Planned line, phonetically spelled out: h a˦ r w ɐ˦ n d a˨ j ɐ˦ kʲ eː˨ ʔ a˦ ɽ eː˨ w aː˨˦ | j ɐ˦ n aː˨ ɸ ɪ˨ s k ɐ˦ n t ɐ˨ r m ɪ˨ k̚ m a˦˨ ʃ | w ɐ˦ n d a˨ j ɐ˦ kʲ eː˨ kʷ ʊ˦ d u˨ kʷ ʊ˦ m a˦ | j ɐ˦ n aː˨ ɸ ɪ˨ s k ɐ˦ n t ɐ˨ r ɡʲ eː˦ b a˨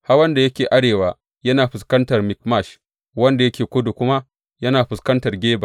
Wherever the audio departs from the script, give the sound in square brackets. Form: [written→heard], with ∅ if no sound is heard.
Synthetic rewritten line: h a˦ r w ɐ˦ n d a˨ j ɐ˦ kʲ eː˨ ʔ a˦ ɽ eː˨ w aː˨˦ | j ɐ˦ n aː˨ ɸ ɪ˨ s k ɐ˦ n t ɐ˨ r m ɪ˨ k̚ m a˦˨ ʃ | w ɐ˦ n d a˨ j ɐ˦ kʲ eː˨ kʷ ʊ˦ d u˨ kʷ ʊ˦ m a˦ | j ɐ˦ n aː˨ ɸ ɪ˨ s k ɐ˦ n t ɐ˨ r ɡʲ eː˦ b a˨